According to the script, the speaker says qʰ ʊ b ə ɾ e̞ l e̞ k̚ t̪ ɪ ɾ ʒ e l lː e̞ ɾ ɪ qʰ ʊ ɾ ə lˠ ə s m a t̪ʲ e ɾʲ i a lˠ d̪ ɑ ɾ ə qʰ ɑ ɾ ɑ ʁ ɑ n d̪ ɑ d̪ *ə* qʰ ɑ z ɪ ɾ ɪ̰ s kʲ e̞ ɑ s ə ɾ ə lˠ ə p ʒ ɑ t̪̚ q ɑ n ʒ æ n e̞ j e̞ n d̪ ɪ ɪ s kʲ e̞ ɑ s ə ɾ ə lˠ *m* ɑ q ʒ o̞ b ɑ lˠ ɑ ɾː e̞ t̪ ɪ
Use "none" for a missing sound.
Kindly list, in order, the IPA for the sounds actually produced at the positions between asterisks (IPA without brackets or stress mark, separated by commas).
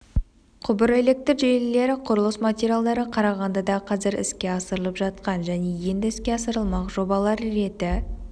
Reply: ɑ, m